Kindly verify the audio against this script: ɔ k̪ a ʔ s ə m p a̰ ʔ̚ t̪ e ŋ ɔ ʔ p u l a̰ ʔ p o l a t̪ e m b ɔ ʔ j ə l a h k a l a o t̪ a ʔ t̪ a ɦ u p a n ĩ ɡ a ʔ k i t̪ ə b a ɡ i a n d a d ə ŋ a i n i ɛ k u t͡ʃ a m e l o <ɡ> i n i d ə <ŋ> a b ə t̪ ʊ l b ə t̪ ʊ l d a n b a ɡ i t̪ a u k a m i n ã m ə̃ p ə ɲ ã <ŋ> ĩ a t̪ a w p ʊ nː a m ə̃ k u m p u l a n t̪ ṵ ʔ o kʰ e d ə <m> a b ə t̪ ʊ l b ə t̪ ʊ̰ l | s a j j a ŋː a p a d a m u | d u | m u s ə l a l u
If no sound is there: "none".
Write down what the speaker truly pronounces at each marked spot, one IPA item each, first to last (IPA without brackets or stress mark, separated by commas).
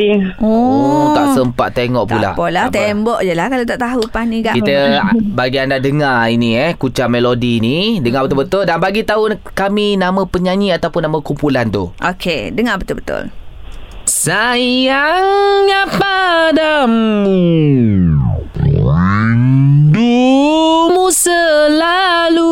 d, ŋ, ɲ, ŋ